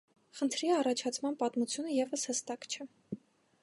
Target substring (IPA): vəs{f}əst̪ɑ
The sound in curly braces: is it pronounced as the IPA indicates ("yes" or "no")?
no